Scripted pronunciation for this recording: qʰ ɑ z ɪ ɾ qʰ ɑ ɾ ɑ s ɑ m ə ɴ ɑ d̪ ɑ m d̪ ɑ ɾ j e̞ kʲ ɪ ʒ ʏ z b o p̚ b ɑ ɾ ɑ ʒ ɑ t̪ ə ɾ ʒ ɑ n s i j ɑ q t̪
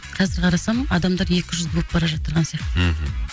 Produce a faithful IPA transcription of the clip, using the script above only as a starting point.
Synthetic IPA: qʰ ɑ z ɪ ɾ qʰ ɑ ɾ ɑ s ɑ m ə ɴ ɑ d̪ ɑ m d̪ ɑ ɾ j e̞ kʲ ɪ ʒ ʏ z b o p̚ b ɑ ɾ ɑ ʒ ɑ t̪ ə ɾ ʁ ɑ n s i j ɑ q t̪